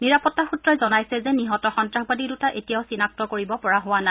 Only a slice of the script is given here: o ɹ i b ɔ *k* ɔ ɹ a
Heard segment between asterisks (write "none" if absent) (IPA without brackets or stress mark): p